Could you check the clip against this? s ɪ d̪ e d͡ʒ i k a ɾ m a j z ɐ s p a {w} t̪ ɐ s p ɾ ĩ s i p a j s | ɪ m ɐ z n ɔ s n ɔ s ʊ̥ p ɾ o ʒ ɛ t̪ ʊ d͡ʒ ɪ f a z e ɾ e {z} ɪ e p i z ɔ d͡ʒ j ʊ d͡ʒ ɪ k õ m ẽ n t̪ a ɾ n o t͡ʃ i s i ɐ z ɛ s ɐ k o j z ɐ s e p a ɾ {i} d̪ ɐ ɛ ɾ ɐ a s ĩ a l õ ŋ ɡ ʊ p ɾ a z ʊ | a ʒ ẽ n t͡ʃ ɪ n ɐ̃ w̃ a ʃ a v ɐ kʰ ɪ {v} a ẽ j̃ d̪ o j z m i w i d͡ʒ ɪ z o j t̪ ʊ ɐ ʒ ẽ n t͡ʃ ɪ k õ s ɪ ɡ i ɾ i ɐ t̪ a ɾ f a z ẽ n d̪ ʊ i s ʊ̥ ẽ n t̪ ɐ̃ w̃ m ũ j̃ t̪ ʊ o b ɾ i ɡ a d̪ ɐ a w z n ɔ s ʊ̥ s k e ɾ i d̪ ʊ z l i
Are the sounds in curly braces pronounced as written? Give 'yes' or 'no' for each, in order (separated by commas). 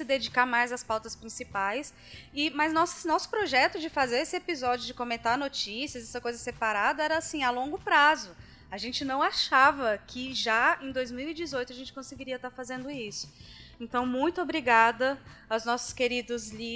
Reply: yes, no, no, no